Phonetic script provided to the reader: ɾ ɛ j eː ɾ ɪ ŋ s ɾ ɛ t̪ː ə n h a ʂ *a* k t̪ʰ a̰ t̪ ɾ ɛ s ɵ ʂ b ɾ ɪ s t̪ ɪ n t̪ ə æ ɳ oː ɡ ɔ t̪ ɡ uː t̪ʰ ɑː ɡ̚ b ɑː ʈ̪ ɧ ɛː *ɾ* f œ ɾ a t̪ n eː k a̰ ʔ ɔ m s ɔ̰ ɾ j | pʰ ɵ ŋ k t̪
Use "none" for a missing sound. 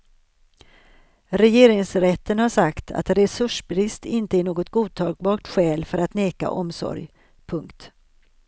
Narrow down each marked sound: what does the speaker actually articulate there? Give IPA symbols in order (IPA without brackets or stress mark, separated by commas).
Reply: a, l